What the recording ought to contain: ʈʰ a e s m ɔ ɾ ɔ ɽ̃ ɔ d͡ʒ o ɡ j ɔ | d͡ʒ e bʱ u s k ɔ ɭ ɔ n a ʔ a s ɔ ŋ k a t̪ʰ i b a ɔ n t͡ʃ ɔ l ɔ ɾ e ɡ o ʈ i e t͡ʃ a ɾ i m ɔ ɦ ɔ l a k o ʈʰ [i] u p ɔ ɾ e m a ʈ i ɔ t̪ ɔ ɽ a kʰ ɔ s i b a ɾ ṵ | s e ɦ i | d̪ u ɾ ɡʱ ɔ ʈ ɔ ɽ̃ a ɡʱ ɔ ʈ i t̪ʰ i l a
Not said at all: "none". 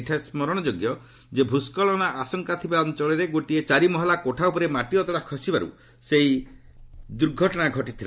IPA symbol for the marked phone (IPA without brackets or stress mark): a